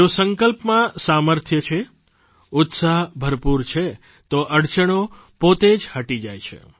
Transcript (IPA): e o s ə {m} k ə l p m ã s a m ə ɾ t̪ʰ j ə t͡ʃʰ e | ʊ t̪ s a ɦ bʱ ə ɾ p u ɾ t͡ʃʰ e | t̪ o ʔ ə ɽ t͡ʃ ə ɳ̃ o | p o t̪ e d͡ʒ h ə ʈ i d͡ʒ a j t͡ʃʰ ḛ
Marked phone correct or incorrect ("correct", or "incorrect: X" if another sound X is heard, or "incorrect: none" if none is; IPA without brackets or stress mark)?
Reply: incorrect: ŋ